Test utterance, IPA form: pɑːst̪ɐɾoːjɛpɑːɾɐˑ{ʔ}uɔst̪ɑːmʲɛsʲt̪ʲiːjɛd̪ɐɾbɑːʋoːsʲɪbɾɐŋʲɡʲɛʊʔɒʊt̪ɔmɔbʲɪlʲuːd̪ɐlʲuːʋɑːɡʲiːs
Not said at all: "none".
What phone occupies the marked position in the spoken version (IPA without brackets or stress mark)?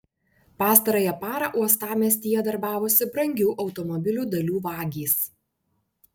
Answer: ʔ